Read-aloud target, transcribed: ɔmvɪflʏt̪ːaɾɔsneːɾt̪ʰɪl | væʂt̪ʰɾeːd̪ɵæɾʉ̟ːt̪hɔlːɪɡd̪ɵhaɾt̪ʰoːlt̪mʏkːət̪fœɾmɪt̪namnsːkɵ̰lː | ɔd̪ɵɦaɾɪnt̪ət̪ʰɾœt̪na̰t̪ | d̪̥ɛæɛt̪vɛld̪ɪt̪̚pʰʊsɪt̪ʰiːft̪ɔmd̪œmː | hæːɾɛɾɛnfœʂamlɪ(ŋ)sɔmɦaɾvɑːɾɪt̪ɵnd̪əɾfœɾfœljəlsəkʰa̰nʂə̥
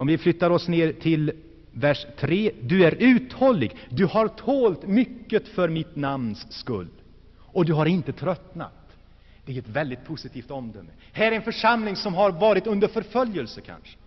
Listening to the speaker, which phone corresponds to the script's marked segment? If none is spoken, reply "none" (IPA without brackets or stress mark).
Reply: ŋ